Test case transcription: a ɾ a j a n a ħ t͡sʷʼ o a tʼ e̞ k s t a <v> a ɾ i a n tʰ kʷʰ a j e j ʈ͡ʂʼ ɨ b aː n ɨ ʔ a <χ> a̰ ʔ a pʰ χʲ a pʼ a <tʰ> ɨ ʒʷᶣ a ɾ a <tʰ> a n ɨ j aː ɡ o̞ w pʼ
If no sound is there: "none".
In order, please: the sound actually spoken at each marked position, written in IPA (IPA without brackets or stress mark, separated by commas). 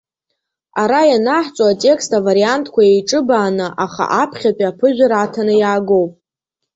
v, χ, pʰ, tʰ